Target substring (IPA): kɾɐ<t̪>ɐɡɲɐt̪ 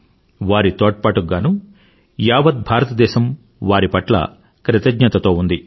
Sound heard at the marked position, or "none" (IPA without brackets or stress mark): t̪